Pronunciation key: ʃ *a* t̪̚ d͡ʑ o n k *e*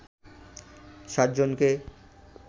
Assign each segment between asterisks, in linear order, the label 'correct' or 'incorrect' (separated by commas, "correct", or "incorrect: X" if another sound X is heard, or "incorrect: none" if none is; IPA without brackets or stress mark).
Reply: correct, correct